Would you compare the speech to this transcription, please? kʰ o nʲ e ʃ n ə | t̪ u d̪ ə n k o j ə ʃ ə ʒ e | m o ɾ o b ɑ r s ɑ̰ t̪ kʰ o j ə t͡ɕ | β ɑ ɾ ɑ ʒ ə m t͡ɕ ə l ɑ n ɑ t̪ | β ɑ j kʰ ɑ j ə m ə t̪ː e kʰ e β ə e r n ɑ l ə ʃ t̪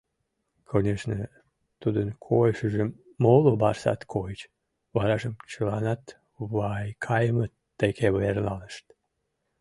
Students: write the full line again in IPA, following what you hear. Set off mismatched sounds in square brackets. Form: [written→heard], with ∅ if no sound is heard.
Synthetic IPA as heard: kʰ o nʲ e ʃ n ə | t̪ u d̪ ə n [k→kʰ] o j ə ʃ ə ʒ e | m o [ɾ→l] o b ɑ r s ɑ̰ t̪ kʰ o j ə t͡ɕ | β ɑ ɾ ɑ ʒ ə m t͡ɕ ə l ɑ n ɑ t̪ | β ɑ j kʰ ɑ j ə m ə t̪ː e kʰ e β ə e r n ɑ l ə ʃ t̪